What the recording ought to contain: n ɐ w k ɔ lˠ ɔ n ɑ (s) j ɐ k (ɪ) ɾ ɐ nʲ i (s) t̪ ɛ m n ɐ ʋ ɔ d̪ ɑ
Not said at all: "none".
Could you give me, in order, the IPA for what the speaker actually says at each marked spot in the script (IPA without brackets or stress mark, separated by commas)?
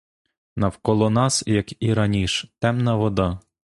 s, i, ʃ